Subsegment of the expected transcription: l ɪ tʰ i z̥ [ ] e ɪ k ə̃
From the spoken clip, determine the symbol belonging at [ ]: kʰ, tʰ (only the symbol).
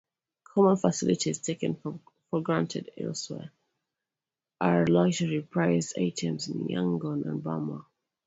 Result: tʰ